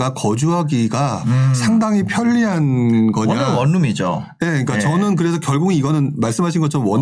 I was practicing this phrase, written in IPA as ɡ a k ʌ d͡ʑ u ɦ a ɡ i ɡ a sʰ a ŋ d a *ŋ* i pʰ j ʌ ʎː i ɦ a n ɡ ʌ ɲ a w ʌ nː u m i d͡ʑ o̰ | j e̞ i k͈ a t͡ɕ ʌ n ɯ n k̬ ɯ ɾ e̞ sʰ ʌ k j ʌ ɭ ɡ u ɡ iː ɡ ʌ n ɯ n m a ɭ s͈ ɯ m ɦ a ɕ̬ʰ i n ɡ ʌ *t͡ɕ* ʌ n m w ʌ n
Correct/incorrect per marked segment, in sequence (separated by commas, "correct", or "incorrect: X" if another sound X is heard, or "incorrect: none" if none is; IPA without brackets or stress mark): correct, incorrect: t͡ɕʰ